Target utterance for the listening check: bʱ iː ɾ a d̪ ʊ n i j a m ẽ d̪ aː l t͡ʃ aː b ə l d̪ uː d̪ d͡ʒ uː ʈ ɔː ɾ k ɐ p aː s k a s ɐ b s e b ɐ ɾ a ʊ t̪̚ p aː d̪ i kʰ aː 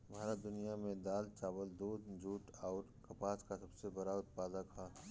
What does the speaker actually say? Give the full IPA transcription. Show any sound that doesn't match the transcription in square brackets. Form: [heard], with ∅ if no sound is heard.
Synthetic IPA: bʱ [aː] ɾ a d̪ ʊ n i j a m ẽ d̪ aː l t͡ʃ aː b ə l d̪ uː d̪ d͡ʒ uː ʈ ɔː ɾ k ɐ p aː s k a s ɐ b s e b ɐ ɾ a ʊ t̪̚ p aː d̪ [a] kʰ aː

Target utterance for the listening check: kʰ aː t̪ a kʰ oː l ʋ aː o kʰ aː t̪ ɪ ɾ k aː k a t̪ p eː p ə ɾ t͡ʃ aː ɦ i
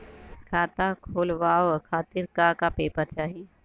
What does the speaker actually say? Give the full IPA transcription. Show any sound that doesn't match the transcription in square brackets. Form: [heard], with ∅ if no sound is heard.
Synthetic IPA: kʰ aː t̪ a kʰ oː l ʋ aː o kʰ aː t̪ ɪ ɾ k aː k a [∅] p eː p ə ɾ t͡ʃ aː ɦ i

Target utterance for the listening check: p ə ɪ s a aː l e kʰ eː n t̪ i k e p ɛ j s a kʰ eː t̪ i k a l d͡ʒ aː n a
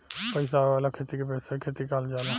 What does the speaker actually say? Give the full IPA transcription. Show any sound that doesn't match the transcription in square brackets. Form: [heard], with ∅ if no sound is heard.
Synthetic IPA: p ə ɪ s a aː l [a] kʰ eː [∅] t̪ i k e p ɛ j s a kʰ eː t̪ i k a l d͡ʒ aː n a

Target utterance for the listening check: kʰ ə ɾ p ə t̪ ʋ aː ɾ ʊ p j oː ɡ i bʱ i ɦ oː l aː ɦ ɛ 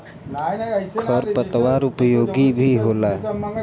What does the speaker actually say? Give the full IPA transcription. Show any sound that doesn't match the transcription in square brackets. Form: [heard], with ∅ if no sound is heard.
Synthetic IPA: kʰ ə ɾ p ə t̪ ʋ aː ɾ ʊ p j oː ɡ i bʱ i ɦ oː l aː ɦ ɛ

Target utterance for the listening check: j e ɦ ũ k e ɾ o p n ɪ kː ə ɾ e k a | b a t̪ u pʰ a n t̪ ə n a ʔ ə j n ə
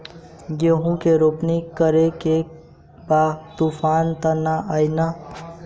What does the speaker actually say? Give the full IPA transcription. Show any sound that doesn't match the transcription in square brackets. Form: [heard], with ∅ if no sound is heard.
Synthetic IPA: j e ɦ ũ k e ɾ o p n [i] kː ə ɾ e k [e] | b a t̪ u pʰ a n t̪ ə n a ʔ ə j n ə

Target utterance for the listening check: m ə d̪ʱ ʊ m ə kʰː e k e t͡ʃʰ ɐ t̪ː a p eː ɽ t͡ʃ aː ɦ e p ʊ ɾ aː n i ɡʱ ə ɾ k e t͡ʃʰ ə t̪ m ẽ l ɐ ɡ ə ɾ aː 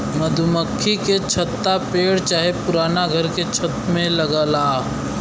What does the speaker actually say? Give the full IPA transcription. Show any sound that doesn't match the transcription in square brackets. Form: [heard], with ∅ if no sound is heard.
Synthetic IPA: m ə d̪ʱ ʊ m ə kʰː [i] k e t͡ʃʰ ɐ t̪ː a p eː ɽ t͡ʃ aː ɦ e p ʊ ɾ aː n [a] ɡʱ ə ɾ k e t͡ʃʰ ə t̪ m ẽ l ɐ ɡ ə [l] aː

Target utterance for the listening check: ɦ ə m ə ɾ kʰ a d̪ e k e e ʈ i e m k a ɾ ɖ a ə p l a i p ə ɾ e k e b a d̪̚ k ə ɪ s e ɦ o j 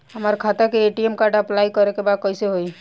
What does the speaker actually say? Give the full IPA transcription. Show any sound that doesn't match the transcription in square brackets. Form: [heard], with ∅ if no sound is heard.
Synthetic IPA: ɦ ə m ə ɾ kʰ a [t̪] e k e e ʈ i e m k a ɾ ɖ a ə p l a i [k] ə ɾ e k e b a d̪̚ k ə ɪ s e ɦ o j

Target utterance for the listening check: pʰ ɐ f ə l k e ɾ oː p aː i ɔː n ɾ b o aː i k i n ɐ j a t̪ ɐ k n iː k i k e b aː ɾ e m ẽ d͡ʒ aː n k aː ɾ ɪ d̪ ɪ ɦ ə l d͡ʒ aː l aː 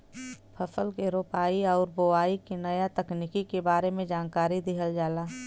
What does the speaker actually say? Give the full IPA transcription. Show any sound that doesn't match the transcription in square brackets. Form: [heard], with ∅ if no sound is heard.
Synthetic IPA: pʰ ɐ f ə l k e ɾ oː p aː i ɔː [∅] ɾ b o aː i k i n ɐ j a t̪ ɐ k n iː k i k e b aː ɾ e m ẽ d͡ʒ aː n k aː ɾ [i] d̪ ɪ ɦ ə l d͡ʒ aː l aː

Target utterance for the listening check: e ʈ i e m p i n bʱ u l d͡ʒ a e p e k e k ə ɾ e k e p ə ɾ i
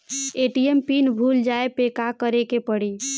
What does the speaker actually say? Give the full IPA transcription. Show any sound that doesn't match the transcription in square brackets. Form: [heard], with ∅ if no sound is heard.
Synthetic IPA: e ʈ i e m p i n bʱ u l d͡ʒ a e p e k [a] k ə ɾ e k e p ə [ɽ] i

